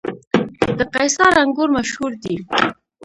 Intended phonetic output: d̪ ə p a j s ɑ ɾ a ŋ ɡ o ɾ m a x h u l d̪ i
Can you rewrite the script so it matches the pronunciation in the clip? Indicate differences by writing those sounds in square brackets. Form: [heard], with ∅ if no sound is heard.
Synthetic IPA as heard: d̪ ə [q] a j s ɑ ɾ a ŋ ɡ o ɾ m a [ʃ] h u [ɾ] d̪ i